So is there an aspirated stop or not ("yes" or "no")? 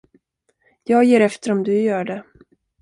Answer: no